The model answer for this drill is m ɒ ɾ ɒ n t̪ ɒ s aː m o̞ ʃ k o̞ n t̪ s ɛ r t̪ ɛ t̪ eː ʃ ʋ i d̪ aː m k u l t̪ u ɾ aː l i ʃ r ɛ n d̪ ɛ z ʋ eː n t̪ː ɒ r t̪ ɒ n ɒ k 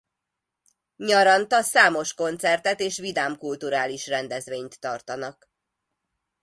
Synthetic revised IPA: ɲ ɒ ɾ ɒ n t̪ ɒ s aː m o̞ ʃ k o̞ n t̪ s ɛ r t̪ ɛ t̪ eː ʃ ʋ i d̪ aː m k u l t̪ u ɾ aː l i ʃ r ɛ n d̪ ɛ z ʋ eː ɲ t̪ː ɒ r t̪ ɒ n ɒ k